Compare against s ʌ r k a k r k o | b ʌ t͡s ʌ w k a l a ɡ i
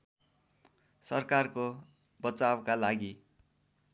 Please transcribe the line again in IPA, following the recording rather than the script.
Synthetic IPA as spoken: s ʌ r k a r k o | b ʌ t͡s a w k a l a ɡ i